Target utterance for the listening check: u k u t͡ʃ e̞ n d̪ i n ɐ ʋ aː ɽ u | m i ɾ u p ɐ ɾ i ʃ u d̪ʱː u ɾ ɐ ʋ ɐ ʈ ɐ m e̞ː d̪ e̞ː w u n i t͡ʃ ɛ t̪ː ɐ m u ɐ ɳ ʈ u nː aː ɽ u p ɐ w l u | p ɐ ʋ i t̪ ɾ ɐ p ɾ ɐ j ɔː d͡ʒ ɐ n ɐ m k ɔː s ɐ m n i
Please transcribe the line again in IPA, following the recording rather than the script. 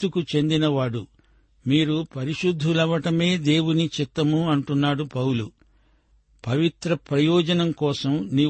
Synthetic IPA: u k u t͡ʃ e̞ n d̪ i n ɐ ʋ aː ɽ u | m iː ɾ u p ɐ ɾ i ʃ u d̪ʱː u l ɐ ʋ ɐ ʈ ɐ m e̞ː d̪ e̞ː w u n i t͡ʃ i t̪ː ɐ m u ɐ ɳ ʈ u nː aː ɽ u p ɐ w l u | p ɐ ʋ i t̪ ɾ ɐ p ɾ ɐ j ɔː d͡ʒ ɐ n ɐ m k ɔː s ɐ m n i